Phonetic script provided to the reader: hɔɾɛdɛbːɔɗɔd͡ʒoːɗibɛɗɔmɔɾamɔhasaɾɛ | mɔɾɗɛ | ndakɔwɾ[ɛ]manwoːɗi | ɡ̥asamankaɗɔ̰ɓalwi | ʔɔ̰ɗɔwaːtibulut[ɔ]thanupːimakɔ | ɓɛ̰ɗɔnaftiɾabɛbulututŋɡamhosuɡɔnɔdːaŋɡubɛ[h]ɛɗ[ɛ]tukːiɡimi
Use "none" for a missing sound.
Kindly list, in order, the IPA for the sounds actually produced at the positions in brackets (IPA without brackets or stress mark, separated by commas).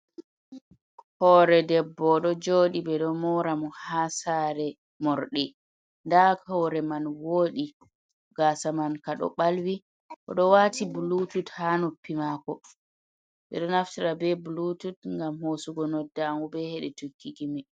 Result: ɛ, u, h, ɛ